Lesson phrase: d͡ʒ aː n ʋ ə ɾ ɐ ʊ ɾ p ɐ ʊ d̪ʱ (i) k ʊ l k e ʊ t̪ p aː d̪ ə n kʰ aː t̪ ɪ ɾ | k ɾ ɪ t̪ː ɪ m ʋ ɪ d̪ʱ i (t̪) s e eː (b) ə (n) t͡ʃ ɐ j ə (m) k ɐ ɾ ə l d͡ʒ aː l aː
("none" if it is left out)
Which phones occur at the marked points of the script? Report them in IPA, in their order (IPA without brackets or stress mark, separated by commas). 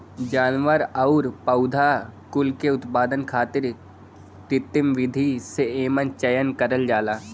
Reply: a, none, m, n, n